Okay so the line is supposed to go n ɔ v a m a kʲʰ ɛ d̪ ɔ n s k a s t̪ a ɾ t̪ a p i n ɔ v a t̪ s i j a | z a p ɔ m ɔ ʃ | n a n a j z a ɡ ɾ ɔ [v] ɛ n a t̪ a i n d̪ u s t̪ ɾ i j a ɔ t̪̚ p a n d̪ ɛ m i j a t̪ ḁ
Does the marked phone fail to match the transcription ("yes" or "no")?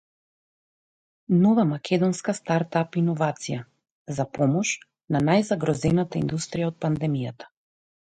yes